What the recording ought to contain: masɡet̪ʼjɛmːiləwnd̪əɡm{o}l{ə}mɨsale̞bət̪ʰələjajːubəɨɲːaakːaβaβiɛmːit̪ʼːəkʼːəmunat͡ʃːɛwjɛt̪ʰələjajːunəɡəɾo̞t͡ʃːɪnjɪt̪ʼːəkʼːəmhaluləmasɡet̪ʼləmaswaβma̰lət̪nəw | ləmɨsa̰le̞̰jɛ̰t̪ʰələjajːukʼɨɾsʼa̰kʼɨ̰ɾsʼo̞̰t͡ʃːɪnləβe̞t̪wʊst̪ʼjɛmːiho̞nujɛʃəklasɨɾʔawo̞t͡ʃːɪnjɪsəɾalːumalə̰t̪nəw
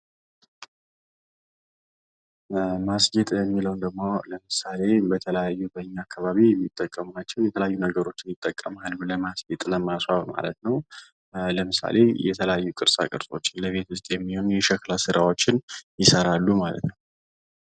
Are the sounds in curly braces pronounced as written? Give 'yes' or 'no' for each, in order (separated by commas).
yes, yes